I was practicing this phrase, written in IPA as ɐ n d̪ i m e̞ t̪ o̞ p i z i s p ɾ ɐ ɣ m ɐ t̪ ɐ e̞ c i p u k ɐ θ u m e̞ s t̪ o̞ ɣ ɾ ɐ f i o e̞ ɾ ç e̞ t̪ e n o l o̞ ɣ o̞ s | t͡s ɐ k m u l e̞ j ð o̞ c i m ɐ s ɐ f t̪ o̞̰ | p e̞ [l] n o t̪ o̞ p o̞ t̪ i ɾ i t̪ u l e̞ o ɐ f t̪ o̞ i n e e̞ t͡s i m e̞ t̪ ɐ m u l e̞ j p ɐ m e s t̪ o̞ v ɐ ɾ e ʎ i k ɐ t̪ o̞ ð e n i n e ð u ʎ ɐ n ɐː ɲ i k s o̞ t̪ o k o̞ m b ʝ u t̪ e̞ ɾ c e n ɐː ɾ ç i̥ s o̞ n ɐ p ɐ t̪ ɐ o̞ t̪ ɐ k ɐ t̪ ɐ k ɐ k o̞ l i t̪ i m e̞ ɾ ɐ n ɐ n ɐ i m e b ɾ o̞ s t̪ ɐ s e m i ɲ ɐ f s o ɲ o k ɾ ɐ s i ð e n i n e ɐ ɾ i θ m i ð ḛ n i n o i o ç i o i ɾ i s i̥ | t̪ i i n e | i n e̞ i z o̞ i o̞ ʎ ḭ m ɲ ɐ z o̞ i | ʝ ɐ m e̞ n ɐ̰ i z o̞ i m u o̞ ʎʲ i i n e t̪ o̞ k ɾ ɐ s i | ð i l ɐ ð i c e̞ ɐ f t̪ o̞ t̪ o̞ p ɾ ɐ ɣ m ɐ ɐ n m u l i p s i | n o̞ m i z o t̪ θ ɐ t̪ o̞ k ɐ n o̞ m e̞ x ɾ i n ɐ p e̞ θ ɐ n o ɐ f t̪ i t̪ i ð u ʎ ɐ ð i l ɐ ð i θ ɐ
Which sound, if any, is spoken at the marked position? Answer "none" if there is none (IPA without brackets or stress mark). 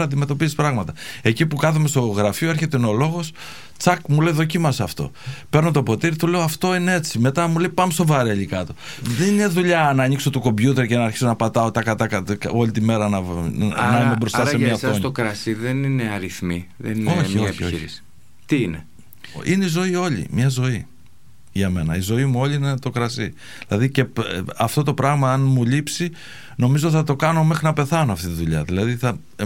ɾ